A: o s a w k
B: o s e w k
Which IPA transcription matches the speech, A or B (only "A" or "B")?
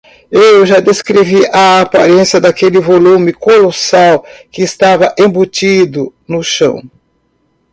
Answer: A